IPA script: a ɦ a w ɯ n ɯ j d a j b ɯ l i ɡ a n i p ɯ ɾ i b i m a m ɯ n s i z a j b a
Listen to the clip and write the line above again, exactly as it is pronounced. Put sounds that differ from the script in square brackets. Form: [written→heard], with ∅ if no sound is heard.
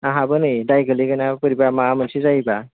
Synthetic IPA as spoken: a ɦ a [w→b] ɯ n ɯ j d a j [b→ɡ] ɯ l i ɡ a n [i→a] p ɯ ɾ i b [i→a] m a m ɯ n s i z a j b a